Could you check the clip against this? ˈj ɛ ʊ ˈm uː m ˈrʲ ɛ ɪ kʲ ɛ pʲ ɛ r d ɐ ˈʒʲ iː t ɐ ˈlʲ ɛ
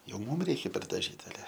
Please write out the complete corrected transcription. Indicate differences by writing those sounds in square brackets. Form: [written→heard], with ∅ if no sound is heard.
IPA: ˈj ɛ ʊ ˈm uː m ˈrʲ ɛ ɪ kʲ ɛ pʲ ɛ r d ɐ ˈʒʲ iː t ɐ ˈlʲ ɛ